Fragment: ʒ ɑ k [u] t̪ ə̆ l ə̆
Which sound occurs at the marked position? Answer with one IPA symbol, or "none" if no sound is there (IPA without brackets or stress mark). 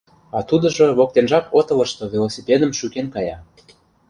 o